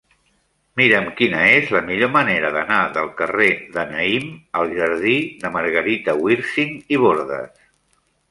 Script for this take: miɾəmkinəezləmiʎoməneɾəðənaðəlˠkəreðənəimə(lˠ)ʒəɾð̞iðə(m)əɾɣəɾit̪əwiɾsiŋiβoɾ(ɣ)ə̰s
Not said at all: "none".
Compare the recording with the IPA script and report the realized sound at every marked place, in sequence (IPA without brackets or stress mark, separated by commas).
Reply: lˠ, m, ð